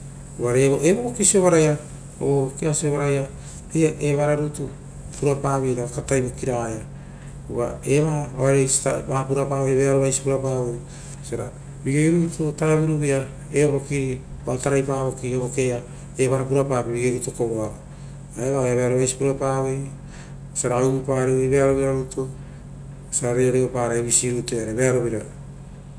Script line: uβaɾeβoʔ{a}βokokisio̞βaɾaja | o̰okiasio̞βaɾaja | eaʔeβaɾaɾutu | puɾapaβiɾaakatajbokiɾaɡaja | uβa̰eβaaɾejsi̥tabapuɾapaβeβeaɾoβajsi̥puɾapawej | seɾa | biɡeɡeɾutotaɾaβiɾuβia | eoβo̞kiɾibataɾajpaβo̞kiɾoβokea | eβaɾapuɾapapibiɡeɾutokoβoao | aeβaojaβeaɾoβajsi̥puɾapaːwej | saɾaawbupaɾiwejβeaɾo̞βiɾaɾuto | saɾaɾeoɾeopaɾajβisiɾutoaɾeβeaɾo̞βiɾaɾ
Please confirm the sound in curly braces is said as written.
no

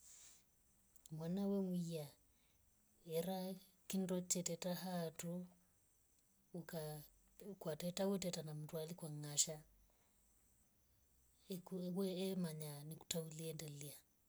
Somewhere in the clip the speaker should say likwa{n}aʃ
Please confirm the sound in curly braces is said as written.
no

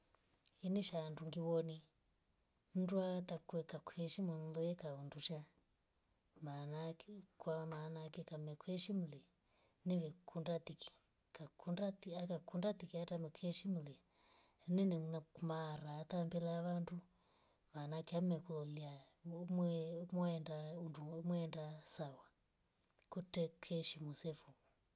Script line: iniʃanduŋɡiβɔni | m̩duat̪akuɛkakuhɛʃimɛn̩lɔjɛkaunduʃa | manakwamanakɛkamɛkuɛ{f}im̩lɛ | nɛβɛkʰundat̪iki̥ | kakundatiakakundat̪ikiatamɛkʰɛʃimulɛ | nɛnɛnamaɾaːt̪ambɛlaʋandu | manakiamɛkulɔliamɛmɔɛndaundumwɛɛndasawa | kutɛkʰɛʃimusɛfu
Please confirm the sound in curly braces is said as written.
no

